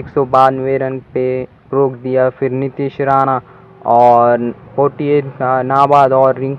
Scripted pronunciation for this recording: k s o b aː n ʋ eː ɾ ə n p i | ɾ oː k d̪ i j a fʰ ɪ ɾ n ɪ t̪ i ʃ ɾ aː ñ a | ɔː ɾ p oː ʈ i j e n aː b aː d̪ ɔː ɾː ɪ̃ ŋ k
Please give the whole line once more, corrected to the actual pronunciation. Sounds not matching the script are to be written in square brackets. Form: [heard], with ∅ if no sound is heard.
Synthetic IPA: k s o b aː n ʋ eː ɾ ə n p [e] | ɾ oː k d̪ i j a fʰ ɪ ɾ n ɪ t̪ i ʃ ɾ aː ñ a | ɔː ɾ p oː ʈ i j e n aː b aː d̪ ɔː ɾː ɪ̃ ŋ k